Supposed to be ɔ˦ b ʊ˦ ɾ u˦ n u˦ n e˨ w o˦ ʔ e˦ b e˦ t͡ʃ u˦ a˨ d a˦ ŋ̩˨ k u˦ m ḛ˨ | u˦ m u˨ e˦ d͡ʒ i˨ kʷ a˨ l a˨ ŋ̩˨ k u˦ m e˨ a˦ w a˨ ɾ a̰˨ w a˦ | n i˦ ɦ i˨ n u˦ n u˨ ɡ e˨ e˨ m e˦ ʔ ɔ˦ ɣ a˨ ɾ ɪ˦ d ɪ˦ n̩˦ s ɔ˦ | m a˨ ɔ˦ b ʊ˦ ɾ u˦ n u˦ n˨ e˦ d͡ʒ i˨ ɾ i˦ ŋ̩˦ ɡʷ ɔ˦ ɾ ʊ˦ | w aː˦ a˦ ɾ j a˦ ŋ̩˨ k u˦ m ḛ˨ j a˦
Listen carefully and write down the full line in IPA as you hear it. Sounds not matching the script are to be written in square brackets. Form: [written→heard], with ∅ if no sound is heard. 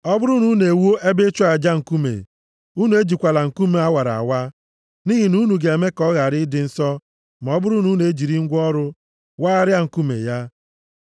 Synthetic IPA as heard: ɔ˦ b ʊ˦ ɾ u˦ n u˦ n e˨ w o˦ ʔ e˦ b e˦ t͡ʃ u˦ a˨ [d→d͡ʒ] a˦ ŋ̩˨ k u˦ m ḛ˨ | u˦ [m→n] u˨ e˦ d͡ʒ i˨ kʷ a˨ l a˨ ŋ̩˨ k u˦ m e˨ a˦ w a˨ ɾ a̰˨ w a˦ | n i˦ ɦ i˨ n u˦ n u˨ ɡ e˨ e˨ m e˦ [ʔ→k] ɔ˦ ɣ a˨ ɾ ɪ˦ d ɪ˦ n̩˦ s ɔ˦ | m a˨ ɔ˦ b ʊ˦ ɾ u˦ n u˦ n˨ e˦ d͡ʒ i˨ ɾ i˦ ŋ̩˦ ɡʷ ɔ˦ ɾ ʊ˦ | w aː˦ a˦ ɾ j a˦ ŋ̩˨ k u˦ m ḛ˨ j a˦